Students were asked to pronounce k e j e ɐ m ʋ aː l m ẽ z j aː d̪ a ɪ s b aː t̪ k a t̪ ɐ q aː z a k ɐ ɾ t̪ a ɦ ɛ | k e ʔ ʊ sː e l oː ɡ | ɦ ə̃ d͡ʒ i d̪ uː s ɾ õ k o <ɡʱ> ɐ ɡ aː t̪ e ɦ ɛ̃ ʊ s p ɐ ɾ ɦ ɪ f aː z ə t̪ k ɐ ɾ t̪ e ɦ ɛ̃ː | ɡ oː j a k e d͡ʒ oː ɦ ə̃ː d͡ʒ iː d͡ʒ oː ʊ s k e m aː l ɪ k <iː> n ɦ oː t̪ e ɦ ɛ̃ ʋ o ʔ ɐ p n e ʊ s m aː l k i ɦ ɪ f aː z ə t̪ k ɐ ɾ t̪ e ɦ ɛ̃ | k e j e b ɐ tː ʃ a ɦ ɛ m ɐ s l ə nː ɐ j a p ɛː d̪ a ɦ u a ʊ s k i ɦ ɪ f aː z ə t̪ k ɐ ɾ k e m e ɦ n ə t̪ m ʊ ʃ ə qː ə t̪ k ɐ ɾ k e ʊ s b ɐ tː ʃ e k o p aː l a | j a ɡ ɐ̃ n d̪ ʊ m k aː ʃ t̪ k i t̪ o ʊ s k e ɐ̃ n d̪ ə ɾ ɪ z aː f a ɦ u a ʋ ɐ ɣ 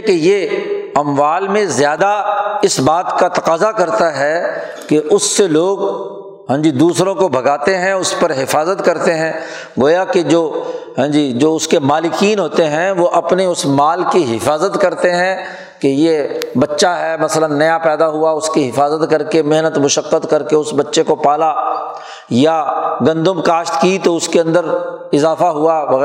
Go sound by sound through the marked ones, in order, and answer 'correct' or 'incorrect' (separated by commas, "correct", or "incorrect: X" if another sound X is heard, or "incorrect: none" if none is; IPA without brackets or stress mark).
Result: incorrect: bʱ, correct